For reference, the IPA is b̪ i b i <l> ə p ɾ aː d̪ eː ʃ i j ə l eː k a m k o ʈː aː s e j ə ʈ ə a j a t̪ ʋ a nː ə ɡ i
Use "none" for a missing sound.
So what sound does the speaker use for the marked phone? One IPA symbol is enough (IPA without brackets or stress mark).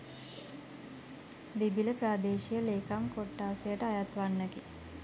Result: l